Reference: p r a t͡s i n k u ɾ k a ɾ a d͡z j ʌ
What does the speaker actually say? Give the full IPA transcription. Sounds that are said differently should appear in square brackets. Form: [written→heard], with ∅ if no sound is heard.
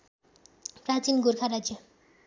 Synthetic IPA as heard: p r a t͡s i n [k→ɡ] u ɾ [k→kʰ] a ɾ a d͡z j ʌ